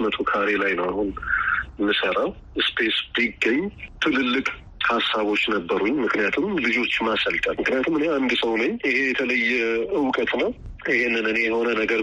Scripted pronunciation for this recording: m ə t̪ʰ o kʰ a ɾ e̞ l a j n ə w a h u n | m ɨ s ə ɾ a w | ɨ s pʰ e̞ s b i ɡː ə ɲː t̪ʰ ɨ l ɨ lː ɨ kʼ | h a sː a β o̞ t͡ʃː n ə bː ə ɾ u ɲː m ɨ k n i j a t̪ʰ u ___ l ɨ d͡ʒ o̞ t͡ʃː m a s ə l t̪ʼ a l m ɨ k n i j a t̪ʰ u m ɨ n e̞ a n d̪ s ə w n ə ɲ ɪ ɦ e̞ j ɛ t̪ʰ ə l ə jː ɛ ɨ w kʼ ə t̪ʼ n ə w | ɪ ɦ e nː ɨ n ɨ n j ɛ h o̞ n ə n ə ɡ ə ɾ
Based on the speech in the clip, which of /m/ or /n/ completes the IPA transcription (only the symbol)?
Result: m